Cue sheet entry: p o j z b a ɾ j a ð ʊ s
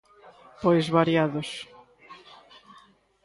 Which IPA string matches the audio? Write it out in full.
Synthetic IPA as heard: p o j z β a ɾ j a ð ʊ s